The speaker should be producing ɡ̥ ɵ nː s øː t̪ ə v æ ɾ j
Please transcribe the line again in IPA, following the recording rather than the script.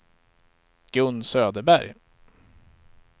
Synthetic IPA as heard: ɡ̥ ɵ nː s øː d̪ ə b æ ɾ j